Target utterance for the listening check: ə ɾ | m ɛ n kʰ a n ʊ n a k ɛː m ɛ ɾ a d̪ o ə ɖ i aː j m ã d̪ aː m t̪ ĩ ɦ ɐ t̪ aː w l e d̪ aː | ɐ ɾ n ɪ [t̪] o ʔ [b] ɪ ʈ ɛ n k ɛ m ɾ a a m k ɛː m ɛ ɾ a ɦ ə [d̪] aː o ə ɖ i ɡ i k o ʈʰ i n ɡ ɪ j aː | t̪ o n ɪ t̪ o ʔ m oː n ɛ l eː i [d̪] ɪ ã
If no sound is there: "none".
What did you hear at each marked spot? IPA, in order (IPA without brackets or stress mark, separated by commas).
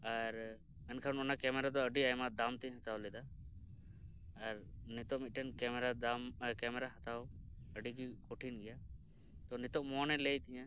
t̪, m, t̪, t̪